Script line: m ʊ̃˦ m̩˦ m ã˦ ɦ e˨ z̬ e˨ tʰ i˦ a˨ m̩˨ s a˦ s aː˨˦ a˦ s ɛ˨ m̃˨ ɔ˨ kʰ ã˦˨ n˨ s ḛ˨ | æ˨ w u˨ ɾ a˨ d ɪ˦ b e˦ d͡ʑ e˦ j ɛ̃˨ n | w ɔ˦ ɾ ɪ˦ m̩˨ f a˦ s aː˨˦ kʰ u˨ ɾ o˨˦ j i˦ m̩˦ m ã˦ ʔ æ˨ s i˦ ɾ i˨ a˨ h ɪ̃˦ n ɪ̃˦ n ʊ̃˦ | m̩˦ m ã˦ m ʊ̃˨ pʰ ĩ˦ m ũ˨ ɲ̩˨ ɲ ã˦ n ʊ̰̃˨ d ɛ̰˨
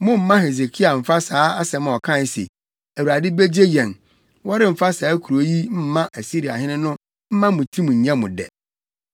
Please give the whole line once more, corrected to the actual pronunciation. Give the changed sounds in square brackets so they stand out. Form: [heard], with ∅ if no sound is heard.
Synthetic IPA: m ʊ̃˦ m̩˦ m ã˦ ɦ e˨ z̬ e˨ [kʰ] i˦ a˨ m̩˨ [f] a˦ s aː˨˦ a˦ s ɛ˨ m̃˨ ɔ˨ kʰ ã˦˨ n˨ s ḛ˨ | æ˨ w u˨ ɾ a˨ d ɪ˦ b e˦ d͡ʑ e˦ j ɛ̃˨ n | w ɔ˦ ɾ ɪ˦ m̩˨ f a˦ s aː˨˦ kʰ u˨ ɾ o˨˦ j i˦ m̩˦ m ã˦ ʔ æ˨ s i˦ ɾ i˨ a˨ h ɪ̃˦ n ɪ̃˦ n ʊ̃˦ | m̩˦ m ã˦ m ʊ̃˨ [tʰ] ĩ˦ m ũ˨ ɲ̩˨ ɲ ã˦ [m] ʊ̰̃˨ d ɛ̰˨